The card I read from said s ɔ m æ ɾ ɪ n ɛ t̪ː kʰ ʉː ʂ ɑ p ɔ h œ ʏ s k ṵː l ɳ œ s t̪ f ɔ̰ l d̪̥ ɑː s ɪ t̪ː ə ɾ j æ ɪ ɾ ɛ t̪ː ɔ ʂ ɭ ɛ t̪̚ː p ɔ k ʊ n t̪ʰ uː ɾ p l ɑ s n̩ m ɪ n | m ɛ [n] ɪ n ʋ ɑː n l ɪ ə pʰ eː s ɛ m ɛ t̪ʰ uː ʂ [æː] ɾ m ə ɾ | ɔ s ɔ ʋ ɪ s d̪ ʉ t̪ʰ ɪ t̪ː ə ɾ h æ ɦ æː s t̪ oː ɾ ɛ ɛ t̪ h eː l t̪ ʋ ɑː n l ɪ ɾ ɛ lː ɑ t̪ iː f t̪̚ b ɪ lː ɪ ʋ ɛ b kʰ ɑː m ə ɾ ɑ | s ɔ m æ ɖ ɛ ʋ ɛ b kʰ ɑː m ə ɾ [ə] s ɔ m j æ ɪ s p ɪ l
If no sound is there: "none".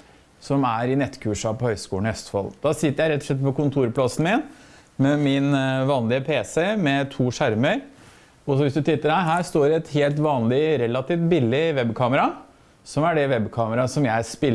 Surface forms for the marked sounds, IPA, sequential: m, æ, ɑ

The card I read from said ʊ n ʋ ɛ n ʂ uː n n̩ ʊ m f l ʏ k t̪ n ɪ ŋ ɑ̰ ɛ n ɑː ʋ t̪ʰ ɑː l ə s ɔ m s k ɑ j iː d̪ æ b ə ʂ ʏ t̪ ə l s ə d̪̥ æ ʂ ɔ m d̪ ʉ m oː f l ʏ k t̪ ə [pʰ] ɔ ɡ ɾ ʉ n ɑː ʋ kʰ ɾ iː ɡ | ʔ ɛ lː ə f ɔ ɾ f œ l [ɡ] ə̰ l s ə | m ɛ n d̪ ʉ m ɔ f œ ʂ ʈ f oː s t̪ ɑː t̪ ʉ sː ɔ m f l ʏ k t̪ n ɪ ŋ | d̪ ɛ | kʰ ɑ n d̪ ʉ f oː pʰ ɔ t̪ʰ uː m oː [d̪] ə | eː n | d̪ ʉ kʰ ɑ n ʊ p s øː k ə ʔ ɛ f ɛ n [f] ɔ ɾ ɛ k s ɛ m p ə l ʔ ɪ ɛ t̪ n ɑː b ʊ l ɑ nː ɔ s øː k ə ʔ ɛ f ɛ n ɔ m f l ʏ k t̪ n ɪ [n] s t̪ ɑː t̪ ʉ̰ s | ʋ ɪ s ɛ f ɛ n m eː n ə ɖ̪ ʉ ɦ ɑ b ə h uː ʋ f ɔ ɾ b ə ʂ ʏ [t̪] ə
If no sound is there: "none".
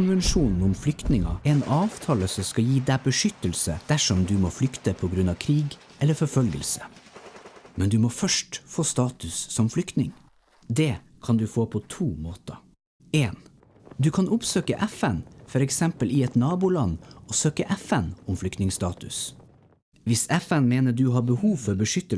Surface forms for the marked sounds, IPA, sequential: pʰ, ɡ, t̪, f, ŋ, t̪

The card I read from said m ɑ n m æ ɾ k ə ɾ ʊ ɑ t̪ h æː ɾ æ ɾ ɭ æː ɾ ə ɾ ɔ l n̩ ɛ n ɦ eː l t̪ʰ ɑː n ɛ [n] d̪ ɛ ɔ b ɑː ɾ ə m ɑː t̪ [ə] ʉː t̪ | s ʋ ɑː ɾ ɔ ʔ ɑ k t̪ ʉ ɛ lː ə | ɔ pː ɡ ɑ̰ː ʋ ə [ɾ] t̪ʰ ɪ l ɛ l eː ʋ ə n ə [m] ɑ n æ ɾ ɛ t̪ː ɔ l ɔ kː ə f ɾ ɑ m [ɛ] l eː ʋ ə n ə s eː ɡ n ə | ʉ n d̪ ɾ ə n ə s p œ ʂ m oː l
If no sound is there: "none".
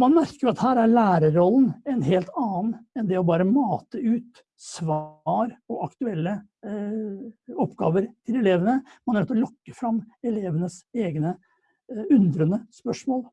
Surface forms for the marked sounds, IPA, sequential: n, ə, ɾ, m, ɛ

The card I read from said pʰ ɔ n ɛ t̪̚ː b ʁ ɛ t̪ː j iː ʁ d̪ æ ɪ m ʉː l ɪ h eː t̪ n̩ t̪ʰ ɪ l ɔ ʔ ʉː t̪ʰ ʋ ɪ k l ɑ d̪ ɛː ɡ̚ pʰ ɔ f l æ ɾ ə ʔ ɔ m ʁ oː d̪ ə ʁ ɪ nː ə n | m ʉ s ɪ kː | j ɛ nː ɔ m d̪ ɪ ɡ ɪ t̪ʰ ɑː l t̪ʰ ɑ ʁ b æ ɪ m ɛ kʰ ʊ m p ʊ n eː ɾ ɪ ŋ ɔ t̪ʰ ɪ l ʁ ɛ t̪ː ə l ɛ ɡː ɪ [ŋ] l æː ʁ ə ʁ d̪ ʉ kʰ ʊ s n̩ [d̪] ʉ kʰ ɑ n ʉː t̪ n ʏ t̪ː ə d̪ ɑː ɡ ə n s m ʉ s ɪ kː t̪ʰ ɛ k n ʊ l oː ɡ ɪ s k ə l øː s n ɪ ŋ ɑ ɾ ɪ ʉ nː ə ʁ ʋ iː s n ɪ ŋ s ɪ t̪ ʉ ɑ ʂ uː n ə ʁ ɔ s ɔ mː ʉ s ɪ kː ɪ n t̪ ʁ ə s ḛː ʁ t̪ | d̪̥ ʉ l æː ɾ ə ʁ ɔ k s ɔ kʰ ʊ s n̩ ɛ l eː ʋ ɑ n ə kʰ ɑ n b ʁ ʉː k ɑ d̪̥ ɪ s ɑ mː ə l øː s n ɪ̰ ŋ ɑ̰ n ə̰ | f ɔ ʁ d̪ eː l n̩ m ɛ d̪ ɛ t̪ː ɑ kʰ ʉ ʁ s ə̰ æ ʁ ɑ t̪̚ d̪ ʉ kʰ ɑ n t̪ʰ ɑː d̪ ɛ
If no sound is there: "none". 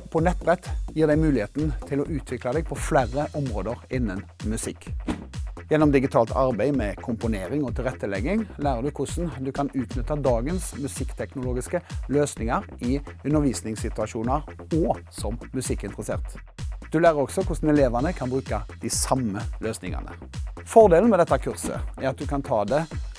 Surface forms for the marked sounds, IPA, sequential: ŋ, d̪

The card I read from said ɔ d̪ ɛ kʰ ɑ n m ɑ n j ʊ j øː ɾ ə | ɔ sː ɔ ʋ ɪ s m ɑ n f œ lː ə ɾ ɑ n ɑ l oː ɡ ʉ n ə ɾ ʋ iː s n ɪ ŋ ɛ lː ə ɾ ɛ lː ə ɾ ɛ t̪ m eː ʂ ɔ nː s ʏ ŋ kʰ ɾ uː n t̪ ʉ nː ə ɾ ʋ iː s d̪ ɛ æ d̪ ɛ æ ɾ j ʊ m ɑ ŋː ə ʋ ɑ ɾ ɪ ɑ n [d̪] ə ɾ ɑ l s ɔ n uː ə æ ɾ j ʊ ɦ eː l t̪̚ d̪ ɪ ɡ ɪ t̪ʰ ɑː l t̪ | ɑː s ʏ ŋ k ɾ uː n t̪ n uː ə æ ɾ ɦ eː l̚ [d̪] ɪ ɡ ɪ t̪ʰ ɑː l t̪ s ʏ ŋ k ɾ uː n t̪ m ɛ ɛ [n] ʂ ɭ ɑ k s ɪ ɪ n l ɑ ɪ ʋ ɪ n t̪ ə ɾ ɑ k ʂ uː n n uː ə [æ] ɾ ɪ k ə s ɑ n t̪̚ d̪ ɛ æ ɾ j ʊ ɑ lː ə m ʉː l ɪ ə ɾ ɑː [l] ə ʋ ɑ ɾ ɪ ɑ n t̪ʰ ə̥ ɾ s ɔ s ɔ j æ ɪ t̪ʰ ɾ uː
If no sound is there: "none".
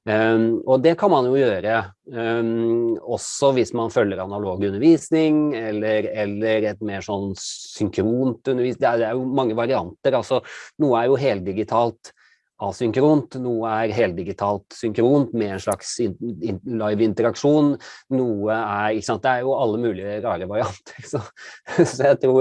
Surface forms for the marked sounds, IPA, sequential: t̪, d̪, n, æ, ɾ

